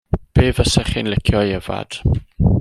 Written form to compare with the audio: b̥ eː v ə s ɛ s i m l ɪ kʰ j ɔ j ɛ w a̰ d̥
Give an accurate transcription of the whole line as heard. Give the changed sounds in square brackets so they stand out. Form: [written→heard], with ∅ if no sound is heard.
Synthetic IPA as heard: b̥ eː v ə s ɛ [s→χ] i [m→n] l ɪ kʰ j ɔ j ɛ [w→v] a̰ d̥

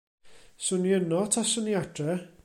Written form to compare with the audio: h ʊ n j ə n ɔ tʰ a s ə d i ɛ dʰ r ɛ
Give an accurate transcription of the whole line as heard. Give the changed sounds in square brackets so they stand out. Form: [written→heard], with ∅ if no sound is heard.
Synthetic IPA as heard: [h→s] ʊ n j ə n ɔ tʰ a s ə [d→n] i [ɛ→a] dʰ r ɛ

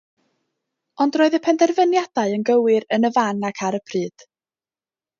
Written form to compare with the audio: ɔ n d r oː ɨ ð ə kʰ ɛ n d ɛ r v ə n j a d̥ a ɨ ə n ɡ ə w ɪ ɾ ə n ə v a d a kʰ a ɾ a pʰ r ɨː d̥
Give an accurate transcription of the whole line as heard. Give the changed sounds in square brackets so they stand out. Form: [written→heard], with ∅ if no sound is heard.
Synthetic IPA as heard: ɔ n d r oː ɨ ð ə [kʰ→pʰ] ɛ n d ɛ r v ə n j a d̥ a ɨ ə n ɡ ə w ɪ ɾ ə n ə v a [d→n] a kʰ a ɾ [a→ə] pʰ r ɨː d̥

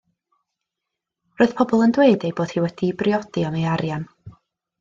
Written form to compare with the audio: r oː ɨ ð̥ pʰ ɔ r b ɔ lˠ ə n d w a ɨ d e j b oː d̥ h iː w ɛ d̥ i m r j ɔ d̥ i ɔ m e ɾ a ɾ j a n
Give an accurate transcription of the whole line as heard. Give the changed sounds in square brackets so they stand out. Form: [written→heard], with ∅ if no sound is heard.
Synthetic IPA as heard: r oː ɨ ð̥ pʰ ɔ [r→∅] b ɔ lˠ ə n d w [a→e] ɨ d e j b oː d̥ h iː w ɛ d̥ i [m→b] r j ɔ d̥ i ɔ m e [ɾ→∅] a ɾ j a n

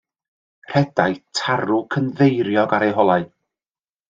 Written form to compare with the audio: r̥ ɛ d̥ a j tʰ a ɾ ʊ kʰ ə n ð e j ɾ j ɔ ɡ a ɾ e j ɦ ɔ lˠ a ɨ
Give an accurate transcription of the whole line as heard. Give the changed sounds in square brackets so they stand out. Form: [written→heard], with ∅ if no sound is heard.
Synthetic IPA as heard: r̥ ɛ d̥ a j tʰ a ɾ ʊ kʰ ə n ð e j ɾ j ɔ ɡ a ɾ e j ɦ ɔ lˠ a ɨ

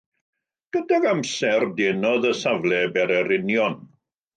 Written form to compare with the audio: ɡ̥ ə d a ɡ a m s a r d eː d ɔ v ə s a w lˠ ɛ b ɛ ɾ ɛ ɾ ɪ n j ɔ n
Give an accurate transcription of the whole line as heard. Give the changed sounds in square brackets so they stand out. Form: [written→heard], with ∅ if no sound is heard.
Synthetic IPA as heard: ɡ̥ ə d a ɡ a m s [a→ɛ] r d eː [d→n] ɔ [v→ð] ə s a [w→v] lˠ ɛ b ɛ ɾ ɛ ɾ ɪ n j ɔ n

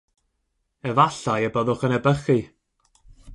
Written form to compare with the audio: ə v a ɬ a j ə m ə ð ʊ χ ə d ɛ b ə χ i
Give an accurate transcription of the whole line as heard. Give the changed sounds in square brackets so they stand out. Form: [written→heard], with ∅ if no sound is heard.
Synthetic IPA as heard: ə v a ɬ a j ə [m→b] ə ð ʊ χ ə [d→n] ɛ b ə χ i

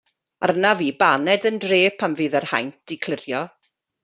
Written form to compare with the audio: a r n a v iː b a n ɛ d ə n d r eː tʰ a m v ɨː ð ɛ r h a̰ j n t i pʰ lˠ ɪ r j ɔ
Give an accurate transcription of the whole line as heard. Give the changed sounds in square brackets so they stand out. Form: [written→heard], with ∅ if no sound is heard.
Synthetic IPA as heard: a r n a v iː b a n ɛ d ə n d r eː [tʰ→pʰ] a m v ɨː ð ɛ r h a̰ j n t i [pʰ→kʰ] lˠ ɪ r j ɔ

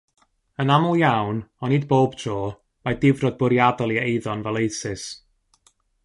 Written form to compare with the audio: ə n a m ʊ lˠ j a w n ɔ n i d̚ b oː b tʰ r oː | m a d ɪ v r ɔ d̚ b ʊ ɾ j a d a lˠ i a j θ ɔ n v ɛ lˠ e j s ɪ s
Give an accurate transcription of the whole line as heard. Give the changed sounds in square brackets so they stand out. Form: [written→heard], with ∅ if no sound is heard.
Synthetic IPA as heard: ə n a m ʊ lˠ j a w n ɔ n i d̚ b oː b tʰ r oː | m a d ɪ v r ɔ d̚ b ʊ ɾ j a d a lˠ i [a→e] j [θ→ð] ɔ n v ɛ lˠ e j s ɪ s

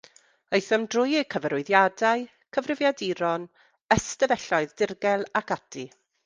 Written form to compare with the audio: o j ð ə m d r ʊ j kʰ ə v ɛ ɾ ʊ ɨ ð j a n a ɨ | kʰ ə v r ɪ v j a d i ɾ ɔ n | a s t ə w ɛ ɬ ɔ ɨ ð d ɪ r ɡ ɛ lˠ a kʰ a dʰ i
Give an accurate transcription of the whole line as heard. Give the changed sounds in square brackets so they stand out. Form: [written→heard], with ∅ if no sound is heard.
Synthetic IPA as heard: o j [ð→θ] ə m d r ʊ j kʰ ə v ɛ ɾ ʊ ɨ ð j a [n→d] a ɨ | kʰ ə v r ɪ v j a d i ɾ ɔ n | [a→ə] s t ə [w→v] ɛ ɬ ɔ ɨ ð d ɪ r ɡ ɛ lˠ a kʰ a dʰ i

